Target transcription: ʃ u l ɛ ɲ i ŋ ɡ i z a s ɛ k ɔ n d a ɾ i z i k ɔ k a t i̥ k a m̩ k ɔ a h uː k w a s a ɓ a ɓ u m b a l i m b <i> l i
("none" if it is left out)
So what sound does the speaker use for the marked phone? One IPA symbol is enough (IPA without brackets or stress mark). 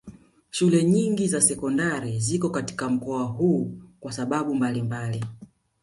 a